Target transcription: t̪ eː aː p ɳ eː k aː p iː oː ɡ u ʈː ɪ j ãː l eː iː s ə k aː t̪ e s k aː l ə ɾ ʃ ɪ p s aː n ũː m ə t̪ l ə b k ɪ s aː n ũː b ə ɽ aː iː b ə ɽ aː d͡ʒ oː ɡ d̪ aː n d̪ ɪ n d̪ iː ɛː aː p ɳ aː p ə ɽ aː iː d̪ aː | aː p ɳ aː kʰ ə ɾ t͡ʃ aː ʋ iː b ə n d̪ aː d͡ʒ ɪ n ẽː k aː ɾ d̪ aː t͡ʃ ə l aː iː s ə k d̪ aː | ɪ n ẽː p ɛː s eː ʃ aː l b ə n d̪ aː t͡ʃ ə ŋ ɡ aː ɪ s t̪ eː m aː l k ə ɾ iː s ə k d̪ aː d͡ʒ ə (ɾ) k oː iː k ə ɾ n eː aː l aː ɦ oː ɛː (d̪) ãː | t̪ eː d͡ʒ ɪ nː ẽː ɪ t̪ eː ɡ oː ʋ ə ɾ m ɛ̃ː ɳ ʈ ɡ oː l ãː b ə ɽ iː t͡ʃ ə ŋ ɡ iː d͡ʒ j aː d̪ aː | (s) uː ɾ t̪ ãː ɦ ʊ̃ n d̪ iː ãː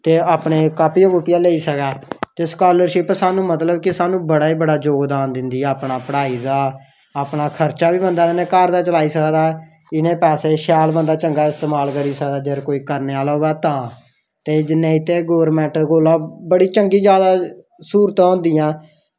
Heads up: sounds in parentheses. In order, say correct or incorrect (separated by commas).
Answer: correct, incorrect, correct